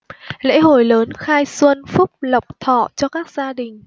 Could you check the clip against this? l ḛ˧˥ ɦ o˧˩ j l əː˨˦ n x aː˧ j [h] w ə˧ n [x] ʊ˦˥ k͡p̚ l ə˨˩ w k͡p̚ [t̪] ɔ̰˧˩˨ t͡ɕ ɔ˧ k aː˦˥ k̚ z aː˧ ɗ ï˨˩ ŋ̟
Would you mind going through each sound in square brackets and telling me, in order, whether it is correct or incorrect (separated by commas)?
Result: incorrect, incorrect, incorrect